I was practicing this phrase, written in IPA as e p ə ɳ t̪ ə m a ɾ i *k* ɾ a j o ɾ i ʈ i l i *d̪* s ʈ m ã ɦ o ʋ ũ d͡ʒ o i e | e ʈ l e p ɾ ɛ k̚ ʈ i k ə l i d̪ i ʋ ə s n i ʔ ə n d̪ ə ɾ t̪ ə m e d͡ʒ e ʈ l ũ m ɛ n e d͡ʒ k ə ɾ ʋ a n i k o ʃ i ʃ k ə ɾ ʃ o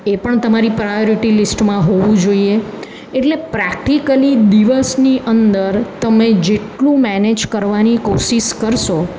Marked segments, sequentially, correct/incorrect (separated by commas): incorrect, incorrect